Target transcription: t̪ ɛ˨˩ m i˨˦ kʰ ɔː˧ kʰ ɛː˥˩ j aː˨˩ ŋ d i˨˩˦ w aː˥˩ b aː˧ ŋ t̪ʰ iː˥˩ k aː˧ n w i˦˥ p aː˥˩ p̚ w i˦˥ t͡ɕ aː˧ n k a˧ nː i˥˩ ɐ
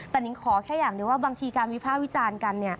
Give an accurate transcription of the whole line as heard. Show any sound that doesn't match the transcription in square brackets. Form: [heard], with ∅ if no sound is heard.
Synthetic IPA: t̪ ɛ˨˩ [n] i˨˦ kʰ [ɔː˩˦] kʰ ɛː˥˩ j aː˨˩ ŋ d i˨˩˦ w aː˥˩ b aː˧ ŋ t̪ʰ [iː˧] k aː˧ n w i˦˥ [pʰ] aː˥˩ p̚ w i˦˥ t͡ɕ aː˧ n k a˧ nː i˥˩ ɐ